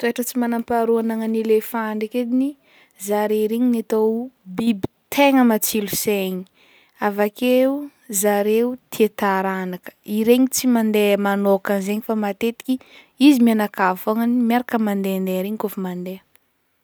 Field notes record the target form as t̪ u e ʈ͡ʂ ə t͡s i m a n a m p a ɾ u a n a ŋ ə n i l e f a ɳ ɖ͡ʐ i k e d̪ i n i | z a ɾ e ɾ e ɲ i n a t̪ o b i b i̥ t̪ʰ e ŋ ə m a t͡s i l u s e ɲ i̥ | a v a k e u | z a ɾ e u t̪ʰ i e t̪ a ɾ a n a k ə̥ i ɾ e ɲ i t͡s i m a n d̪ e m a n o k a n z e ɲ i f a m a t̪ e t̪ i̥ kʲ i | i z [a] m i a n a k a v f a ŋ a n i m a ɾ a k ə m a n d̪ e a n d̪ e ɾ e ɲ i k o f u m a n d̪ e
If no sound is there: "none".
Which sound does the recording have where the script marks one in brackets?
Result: i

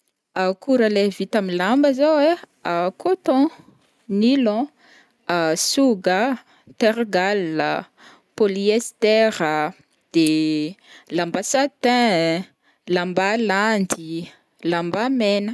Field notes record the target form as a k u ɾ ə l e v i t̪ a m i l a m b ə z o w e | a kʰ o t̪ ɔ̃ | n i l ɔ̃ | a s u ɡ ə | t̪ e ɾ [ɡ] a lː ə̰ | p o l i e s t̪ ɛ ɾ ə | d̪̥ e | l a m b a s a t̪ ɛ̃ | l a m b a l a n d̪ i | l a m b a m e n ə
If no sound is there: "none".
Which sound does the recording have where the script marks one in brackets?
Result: ɡ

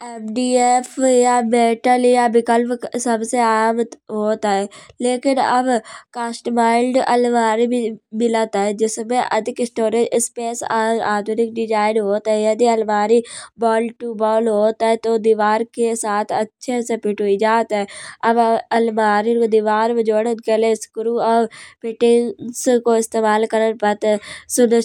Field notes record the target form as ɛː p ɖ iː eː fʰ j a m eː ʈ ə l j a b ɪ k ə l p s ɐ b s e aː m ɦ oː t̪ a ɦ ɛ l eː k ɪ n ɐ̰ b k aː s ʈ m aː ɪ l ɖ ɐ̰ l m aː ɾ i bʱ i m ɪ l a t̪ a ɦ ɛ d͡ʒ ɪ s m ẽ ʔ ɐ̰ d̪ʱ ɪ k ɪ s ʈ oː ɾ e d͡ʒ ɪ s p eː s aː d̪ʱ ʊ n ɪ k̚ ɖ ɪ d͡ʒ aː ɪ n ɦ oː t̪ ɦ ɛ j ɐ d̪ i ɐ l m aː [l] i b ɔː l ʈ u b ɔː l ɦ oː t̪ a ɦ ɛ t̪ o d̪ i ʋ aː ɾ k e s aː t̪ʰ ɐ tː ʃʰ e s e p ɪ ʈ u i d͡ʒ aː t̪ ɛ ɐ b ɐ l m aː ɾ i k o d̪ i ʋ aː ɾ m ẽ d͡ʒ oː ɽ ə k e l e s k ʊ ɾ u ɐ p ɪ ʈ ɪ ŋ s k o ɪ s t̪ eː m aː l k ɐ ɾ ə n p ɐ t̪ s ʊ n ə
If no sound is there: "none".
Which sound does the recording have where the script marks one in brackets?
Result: ɾ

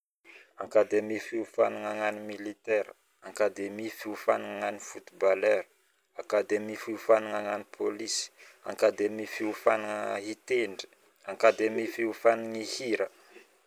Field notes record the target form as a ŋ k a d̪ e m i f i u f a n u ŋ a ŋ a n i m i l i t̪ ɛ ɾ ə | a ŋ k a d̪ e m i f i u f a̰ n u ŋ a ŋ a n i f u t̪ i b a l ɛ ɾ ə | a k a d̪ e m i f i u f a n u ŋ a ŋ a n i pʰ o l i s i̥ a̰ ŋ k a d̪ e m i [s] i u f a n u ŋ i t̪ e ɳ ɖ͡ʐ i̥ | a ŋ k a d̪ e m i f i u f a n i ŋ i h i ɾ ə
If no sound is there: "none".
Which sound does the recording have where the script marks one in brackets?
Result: f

